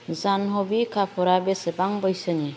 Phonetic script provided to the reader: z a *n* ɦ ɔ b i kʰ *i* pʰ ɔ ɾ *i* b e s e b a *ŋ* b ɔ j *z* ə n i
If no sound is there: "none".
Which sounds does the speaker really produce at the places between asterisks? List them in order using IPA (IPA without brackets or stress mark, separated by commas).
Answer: n, a, a, ŋ, s